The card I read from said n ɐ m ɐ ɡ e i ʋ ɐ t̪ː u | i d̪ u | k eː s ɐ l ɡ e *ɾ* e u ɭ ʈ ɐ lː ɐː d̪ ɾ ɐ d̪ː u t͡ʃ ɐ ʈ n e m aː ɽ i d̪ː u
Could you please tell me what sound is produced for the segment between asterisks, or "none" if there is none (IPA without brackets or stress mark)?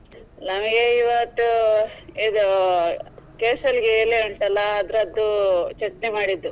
l